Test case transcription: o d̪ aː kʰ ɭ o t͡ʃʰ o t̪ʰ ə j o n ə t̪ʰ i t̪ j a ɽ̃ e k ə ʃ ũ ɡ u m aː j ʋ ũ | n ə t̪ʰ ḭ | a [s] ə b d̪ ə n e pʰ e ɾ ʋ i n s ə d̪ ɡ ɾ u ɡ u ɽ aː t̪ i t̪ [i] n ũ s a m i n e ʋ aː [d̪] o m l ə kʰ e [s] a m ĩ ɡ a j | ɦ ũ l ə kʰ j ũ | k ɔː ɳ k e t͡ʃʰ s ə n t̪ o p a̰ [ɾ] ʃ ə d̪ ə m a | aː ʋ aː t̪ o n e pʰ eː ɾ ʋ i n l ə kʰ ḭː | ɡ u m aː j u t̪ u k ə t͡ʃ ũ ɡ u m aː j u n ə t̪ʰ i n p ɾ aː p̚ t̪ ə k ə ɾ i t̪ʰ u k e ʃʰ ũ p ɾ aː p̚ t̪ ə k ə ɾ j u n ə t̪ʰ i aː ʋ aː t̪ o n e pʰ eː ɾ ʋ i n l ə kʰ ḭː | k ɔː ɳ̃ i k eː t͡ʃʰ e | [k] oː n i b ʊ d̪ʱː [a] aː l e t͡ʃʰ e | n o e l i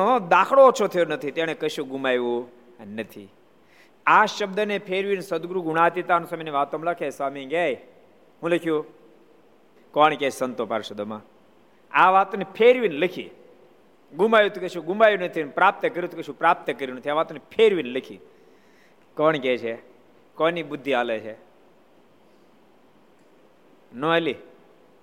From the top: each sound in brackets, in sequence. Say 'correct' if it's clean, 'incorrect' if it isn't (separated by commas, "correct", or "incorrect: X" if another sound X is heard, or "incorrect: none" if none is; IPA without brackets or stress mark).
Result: incorrect: ʃ, incorrect: a, incorrect: t̪, correct, correct, correct, incorrect: i